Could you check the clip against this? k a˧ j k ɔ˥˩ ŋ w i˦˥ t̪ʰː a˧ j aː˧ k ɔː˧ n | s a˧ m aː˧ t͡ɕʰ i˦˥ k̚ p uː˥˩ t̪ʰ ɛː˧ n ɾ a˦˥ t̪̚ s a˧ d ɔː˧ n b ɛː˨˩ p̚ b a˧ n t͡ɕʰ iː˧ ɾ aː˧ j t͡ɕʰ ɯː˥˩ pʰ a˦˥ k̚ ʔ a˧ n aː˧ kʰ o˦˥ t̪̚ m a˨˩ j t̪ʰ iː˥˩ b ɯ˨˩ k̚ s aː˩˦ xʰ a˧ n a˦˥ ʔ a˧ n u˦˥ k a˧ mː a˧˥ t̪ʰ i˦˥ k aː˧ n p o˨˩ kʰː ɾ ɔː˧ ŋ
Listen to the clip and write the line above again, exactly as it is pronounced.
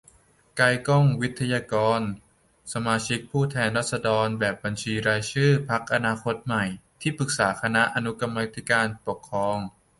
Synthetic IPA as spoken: k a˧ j k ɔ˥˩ ŋ w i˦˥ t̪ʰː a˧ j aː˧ k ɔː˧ n | s a˧ m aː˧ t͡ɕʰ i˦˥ k̚ pʰ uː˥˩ t̪ʰ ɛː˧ n ɾ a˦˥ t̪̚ s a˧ d ɔː˧ n b ɛː˨˩ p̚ b a˧ n t͡ɕʰ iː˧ ɾ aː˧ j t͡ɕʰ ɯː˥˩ pʰ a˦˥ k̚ ʔ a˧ n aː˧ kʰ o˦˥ t̪̚ m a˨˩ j t̪ʰ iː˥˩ p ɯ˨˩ k̚ s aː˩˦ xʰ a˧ n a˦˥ ʔ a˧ n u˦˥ k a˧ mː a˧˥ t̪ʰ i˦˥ k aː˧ n p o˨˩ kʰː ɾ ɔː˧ ŋ